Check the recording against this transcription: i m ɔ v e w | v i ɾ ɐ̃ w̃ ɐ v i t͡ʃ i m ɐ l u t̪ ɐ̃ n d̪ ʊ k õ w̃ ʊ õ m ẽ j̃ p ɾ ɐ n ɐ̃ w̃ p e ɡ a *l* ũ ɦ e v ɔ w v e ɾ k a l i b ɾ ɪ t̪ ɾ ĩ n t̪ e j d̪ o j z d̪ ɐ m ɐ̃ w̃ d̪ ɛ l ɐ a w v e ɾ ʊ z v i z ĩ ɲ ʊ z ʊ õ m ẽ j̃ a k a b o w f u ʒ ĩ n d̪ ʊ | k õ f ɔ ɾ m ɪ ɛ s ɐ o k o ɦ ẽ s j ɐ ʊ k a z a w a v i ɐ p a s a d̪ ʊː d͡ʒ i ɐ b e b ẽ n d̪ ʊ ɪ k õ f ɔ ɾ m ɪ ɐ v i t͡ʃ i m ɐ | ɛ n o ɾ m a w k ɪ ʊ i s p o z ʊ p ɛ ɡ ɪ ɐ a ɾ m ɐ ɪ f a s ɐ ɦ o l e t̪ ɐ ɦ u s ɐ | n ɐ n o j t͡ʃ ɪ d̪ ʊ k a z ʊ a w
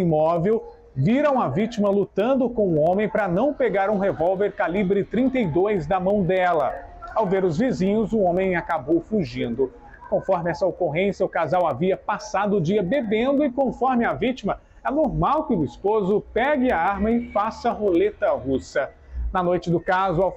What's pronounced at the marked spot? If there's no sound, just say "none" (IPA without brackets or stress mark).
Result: ɾ